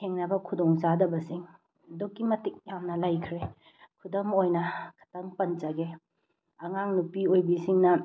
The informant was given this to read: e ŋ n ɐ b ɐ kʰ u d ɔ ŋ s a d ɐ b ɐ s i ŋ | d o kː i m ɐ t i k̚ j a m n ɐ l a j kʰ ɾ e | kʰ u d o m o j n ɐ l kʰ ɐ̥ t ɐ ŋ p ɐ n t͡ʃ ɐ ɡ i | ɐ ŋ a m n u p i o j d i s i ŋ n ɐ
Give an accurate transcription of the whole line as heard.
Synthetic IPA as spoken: e ŋ n ɐ b ɐ kʰ u d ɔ ŋ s a d ɐ b ɐ s i ŋ | d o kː i m ɐ t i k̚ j a m n ɐ l a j kʰ ɾ e | kʰ u d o m o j n ɐ kʰ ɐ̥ t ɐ ŋ p ɐ n t͡ʃ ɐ ɡ e | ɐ ŋ a ŋ n u p i o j b i s i ŋ n ɐ